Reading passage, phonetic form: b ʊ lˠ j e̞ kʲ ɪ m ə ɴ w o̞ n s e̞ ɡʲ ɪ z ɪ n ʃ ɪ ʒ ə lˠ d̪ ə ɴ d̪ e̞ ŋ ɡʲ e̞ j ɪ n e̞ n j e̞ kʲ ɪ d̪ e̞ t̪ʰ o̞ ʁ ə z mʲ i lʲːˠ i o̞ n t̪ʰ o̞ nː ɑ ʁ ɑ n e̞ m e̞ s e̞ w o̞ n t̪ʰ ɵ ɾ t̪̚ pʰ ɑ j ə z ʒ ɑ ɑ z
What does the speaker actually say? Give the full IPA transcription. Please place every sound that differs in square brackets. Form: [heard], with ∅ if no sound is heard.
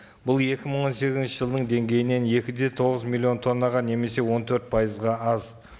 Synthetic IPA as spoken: b ʊ lˠ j e̞ kʲ ɪ m ə ɴ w o̞ n s e̞ ɡʲ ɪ z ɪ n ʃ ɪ ʒ ə lˠ d̪ ə ɴ d̪ e̞ ŋ ɡʲ e̞ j ɪ n e̞ n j e̞ kʲ ɪ d̪ e̞ t̪ʰ o̞ ʁ ə z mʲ i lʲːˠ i o̞ n t̪ʰ o̞ nː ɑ ʁ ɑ n e̞ m e̞ s e̞ w o̞ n t̪ʰ ɵ ɾ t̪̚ pʰ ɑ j ə z [ʁ] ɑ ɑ z